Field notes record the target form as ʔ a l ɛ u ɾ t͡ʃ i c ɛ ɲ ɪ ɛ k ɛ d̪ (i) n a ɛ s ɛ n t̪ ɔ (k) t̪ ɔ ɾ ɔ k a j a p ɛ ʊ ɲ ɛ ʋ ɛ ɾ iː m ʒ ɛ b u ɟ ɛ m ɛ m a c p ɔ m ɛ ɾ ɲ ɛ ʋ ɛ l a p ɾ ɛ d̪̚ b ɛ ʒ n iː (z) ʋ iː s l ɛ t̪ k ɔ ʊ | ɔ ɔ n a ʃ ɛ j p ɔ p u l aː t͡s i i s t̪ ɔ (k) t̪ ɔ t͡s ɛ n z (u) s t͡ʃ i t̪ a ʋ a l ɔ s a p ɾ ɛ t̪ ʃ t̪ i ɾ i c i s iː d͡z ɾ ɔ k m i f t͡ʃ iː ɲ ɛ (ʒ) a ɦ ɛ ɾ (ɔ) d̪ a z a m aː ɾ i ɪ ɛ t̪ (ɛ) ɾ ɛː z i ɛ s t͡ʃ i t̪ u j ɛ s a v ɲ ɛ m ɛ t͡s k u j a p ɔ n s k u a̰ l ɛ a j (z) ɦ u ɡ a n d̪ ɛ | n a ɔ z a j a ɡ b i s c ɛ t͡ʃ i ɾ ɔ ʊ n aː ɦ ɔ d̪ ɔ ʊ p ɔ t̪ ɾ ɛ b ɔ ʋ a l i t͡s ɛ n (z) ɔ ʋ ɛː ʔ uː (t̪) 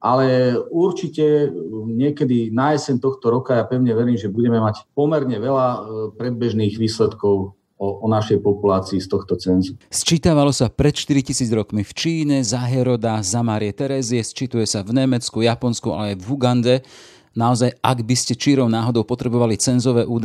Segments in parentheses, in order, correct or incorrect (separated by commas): correct, incorrect, incorrect, incorrect, correct, incorrect, correct, correct, incorrect, correct, incorrect